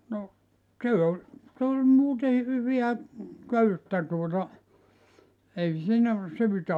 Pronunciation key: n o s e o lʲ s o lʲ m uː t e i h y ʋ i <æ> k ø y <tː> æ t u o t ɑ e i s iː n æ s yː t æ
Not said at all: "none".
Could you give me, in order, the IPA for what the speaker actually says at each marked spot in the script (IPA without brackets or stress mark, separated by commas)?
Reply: æ, tː